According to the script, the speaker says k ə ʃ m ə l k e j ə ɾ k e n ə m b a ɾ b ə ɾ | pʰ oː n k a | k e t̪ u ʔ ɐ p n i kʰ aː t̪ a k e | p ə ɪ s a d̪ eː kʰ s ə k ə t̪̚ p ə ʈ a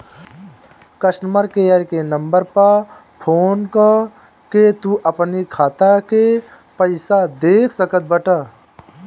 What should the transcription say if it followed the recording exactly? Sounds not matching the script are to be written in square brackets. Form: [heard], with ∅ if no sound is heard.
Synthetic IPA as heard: k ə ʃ m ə [ɾ] k e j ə ɾ k e n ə m b [ə] ɾ [p] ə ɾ | pʰ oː n k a | k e t̪ u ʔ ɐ p n i kʰ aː t̪ a k e | p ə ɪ s a d̪ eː kʰ s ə k ə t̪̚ [b] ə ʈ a

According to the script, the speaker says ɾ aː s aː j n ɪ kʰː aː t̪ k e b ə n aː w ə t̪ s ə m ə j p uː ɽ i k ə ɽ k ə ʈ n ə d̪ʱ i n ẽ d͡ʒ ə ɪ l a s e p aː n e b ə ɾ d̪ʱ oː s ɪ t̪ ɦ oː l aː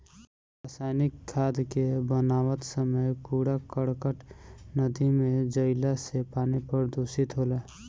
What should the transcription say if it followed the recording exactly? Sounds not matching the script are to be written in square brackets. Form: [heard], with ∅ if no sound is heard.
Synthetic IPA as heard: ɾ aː s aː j n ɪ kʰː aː [d̪] k e b ə n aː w ə t̪ s ə m ə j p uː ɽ [a] k ə ɽ k ə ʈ n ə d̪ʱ i [m] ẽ d͡ʒ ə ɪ l a s e p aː n e [p] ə ɾ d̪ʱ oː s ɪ t̪ ɦ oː l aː

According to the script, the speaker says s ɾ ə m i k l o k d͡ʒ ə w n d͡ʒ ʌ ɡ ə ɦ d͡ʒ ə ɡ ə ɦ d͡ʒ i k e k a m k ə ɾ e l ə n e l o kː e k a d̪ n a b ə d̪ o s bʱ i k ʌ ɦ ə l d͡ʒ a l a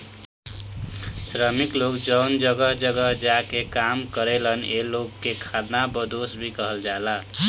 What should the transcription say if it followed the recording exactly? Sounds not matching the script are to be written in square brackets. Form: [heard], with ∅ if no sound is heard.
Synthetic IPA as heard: s ɾ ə m i k l o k d͡ʒ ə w n d͡ʒ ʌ ɡ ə ɦ d͡ʒ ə ɡ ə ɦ d͡ʒ [a] k e k a m k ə ɾ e l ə n e l o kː e [kʰ] a d̪ n a b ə d̪ o s bʱ i k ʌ ɦ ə l d͡ʒ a l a

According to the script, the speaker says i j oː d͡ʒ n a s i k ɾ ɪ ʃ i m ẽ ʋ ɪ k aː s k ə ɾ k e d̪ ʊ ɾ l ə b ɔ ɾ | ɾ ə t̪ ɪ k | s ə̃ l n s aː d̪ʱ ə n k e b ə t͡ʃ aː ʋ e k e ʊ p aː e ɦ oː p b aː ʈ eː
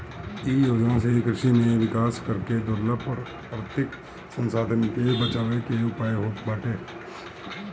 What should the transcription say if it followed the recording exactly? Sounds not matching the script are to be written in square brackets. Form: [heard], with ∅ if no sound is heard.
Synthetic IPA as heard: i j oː d͡ʒ n a s [e] k ɾ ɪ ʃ i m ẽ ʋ ɪ k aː s k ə ɾ k e d̪ ʊ ɾ l ə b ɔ ɾ | ɾ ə t̪ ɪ k | s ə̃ [∅] n s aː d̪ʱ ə n k e b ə t͡ʃ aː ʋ e k e ʊ p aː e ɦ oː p b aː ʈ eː

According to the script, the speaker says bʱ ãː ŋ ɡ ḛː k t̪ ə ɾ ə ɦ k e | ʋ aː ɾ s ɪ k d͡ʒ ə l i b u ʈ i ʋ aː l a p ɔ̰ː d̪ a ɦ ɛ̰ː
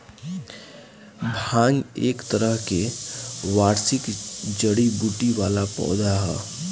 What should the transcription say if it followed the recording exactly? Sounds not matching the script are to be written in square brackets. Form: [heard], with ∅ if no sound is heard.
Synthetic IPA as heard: bʱ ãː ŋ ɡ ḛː k t̪ ə ɾ ə ɦ k e | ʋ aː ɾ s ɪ k d͡ʒ ə [ɽ] i b u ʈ i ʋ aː l a p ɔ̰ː d̪ a ɦ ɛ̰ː

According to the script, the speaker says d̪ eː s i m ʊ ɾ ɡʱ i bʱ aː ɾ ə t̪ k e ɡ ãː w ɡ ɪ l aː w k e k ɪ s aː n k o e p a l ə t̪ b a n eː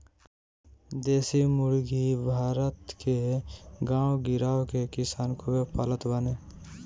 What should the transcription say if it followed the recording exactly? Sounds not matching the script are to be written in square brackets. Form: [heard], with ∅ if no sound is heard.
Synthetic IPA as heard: d̪ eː s i m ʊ ɾ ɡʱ i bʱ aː ɾ ə t̪ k e ɡ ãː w ɡ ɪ [ɾ] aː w k e k ɪ s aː n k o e p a l ə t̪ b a n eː

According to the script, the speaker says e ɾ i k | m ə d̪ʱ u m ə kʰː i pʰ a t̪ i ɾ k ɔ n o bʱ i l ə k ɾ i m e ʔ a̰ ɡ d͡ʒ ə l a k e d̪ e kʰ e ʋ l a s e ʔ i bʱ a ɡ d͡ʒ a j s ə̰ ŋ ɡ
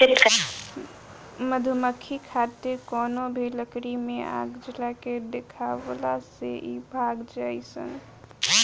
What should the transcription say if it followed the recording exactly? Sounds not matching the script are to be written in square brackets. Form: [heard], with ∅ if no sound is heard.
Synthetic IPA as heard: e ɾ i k | m ə d̪ʱ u m ə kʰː i [kʰ] a t̪ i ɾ k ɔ n o bʱ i l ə k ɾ i m e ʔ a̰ ɡ d͡ʒ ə l a k e d̪ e kʰ [a] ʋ l a s e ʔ i bʱ a ɡ d͡ʒ a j s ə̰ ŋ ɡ

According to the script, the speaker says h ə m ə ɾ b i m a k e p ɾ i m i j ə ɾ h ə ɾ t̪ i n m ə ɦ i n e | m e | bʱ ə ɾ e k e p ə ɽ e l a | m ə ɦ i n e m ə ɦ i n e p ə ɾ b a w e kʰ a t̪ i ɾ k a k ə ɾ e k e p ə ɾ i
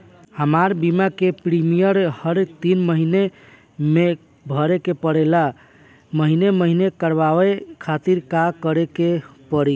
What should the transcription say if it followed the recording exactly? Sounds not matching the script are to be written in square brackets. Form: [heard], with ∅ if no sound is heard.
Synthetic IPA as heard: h ə m [a] ɾ b i m a k e p ɾ i m i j ə ɾ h ə ɾ t̪ i n m ə ɦ i n e | m e | bʱ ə ɾ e k e p ə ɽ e l a | m ə ɦ i n e m ə ɦ i n e [k] ə ɾ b a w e kʰ a t̪ i ɾ k a k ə ɾ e k e p ə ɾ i

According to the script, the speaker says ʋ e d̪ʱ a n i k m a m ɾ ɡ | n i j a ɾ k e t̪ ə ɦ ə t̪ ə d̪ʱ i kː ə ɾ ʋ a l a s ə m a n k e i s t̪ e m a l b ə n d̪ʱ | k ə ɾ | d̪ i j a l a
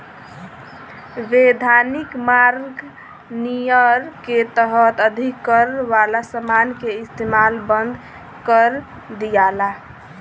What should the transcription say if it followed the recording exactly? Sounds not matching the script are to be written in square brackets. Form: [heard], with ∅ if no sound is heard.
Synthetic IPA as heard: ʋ e d̪ʱ a n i k m a [∅] ɾ ɡ | n i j [ə] ɾ k e t̪ ə ɦ ə t̪ ə d̪ʱ i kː ə ɾ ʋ a l a s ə m a n k e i s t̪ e m a l b ə n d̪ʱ | k ə ɾ | d̪ i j a l a

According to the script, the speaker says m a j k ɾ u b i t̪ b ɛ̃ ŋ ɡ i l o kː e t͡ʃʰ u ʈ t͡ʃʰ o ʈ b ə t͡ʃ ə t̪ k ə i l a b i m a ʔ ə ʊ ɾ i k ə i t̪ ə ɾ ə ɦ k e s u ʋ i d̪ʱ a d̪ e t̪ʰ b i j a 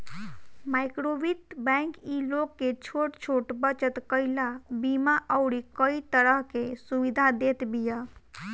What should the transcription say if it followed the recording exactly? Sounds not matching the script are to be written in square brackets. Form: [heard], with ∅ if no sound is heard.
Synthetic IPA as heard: m a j k ɾ [o] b i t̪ b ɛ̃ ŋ [k] i l o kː e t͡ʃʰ [o] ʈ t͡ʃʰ o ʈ b ə t͡ʃ ə t̪ k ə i l a b i m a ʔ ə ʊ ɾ i k ə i t̪ ə ɾ ə ɦ k e s u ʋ i d̪ʱ a d̪ e [t̪] b i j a

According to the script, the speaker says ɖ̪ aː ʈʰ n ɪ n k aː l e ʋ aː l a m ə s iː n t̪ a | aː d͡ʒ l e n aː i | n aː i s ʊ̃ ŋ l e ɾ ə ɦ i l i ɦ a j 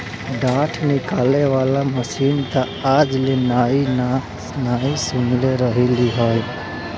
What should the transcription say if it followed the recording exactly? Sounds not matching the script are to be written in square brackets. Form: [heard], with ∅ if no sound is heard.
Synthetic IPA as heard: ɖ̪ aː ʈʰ n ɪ [∅] k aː l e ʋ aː l a m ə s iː n t̪ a | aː d͡ʒ l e n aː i | n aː i s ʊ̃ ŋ l e ɾ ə ɦ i l i ɦ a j

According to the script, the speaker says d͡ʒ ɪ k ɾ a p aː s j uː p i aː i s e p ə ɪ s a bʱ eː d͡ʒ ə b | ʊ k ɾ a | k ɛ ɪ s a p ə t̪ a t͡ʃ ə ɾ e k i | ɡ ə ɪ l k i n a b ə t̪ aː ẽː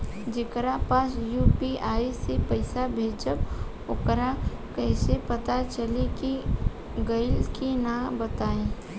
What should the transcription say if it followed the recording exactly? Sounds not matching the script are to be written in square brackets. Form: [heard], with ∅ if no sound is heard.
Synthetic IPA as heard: d͡ʒ ɪ k ɾ a p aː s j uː p i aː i s e p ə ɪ s a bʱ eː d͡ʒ ə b | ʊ k ɾ a | k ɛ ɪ s [e] p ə t̪ a t͡ʃ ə [l] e k i | ɡ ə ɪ l k i n a b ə t̪ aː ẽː

